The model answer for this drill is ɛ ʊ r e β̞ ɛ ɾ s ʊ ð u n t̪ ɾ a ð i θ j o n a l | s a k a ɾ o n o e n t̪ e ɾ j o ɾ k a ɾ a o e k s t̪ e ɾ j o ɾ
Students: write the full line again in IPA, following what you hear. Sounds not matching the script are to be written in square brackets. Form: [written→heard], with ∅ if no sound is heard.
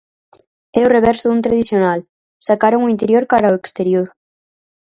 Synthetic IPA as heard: ɛ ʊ r e β̞ ɛ ɾ s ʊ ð u n t̪ ɾ a ð i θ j o n a l | s a k a ɾ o [n→ŋ] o [e→i] n t̪ e ɾ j o ɾ k a ɾ a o e k s t̪ e ɾ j o ɾ